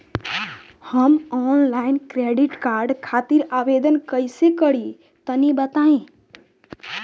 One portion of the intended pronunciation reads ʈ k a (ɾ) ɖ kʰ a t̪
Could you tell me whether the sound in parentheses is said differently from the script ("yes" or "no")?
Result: no